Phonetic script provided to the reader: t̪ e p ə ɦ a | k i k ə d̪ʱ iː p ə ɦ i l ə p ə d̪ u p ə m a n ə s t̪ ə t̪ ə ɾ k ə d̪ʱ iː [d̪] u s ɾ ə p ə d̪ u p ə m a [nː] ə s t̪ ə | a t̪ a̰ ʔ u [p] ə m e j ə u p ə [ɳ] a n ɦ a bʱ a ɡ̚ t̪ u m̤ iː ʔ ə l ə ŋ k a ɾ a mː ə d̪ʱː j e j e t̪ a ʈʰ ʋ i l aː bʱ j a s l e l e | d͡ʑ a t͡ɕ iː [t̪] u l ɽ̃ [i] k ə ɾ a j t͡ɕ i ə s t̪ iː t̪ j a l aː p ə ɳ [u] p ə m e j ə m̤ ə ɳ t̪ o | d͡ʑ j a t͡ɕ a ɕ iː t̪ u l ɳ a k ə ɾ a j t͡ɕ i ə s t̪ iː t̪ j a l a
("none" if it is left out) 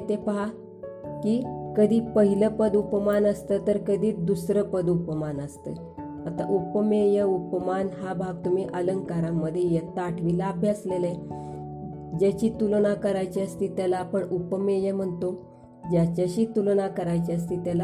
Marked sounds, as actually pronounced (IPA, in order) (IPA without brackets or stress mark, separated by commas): d̪, n, p, m, t̪, a, u